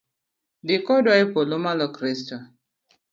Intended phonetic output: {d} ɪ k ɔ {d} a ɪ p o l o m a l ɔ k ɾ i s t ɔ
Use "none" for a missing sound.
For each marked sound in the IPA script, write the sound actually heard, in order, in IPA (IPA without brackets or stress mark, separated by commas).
d, d